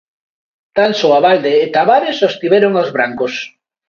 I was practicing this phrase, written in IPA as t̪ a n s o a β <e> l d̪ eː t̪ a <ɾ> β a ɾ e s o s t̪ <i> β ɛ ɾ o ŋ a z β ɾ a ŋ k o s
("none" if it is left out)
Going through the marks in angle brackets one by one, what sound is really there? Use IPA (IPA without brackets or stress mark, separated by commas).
a, none, i